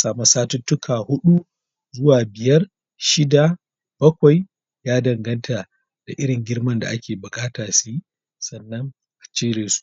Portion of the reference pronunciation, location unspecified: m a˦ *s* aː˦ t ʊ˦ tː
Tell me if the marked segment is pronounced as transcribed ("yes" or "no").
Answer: yes